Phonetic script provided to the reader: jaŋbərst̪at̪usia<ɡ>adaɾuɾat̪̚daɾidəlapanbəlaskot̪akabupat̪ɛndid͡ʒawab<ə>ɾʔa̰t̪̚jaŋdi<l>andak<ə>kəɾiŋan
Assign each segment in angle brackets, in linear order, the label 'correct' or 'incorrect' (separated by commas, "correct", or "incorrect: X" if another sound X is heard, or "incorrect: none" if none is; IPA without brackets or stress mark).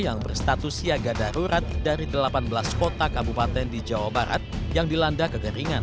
correct, incorrect: a, correct, correct